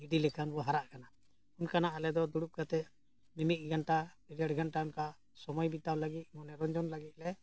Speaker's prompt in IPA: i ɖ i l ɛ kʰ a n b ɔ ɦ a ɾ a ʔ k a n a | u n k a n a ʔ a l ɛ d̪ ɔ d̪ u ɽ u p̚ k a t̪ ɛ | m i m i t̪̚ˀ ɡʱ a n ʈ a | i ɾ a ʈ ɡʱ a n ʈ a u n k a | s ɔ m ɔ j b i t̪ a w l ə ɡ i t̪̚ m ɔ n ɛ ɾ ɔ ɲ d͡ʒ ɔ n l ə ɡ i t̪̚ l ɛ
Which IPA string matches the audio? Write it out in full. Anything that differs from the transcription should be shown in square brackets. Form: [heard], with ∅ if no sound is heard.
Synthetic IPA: i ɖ i l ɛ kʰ a n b ɔ ɦ a ɾ a ʔ k a n a | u n k a n a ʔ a l ɛ d̪ ɔ d̪ u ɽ u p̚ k a t̪ ɛ | m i m i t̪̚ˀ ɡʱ a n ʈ a | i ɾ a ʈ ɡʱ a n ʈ a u n k a | s ɔ m ɔ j b i t̪ a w l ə ɡ i t̪̚ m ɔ n ɛ ɾ ɔ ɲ d͡ʒ ɔ n l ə ɡ i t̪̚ l ɛ